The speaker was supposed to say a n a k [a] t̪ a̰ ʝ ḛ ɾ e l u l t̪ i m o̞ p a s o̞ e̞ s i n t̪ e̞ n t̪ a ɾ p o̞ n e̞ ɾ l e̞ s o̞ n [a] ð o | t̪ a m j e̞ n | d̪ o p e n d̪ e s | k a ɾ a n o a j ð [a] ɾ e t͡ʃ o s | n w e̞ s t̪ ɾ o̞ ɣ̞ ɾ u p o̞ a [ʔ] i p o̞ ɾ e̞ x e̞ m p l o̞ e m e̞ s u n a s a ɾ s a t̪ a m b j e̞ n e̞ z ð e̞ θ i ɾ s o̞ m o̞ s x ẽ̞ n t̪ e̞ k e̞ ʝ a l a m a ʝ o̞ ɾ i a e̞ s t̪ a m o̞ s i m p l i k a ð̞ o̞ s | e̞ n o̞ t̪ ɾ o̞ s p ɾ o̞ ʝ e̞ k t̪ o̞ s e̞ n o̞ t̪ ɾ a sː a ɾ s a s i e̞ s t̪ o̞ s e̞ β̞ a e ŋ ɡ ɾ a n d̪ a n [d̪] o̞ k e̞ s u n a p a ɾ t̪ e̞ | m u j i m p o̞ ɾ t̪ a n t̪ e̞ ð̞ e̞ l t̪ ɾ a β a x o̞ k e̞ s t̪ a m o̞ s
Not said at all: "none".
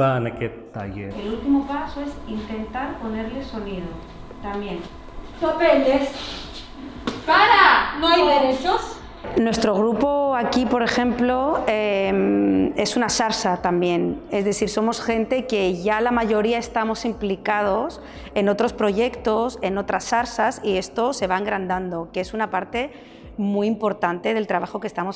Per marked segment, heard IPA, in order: e, i, e, k, d̪

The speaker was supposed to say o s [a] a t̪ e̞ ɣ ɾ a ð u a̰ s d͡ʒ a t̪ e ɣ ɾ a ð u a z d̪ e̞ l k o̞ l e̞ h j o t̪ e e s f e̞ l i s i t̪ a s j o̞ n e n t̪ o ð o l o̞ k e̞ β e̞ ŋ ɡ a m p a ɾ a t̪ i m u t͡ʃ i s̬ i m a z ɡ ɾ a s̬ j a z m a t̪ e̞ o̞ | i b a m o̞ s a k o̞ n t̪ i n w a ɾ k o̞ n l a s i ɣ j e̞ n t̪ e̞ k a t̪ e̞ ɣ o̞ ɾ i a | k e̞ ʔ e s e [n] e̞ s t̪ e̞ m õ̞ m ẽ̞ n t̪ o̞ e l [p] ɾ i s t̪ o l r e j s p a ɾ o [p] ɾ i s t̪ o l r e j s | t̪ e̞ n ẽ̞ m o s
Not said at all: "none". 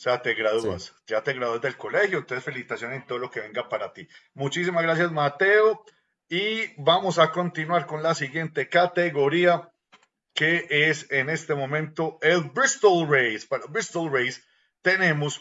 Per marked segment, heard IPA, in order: e, n, b, b

